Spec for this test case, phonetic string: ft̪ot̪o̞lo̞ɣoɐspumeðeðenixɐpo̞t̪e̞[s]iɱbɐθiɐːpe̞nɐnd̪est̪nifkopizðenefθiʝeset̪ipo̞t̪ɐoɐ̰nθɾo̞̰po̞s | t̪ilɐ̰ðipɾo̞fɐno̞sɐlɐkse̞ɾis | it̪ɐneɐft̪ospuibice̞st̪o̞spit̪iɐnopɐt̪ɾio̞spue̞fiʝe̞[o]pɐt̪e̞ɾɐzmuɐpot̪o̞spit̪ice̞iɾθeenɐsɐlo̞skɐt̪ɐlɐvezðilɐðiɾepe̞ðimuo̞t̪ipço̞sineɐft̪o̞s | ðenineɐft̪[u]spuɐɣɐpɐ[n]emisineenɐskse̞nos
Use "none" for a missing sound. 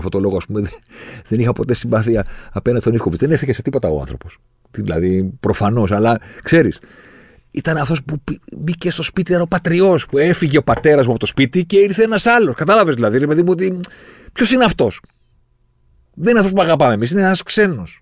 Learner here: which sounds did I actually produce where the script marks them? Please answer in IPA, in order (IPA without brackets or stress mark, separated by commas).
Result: s, o, o, m